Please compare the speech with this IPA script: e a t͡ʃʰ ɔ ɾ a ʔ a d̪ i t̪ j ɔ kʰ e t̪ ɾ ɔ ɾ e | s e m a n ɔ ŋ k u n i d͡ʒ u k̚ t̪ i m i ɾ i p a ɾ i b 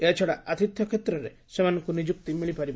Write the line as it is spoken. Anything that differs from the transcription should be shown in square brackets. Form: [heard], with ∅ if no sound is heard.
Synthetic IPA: e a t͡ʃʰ ɔ [ɽ] a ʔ a [t̪] i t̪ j ɔ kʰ e t̪ ɾ ɔ ɾ e | s e m a n ɔ ŋ k u n i d͡ʒ u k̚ t̪ i m i [ɭ] i p a ɾ i b